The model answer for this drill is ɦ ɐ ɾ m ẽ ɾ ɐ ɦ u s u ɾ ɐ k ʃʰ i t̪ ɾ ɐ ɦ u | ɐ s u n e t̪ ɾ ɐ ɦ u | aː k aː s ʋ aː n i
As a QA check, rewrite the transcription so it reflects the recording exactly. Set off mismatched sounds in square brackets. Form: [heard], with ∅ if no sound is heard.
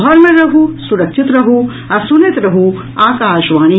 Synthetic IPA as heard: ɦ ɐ ɾ m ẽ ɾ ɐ ɦ u s u ɾ ɐ k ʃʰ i t̪ ɾ ɐ ɦ u | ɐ s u n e t̪ ɾ ɐ ɦ u | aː k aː [ʃ] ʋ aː n i